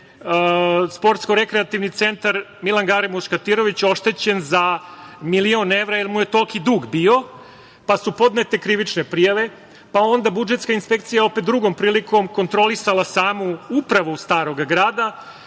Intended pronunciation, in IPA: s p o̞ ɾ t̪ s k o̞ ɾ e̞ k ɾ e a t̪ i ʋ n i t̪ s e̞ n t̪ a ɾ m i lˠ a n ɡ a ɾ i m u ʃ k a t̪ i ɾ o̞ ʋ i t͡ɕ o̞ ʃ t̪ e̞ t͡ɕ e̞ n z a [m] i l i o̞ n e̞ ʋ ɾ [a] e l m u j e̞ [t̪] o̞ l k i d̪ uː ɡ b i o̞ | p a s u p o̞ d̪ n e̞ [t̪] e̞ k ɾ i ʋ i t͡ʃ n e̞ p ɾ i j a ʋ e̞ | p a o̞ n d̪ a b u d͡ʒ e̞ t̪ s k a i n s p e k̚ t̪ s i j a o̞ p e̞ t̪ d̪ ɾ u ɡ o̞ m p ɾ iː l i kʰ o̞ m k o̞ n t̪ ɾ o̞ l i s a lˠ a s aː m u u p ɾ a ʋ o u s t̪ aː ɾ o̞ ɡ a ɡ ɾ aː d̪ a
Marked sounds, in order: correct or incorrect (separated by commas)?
correct, correct, correct, correct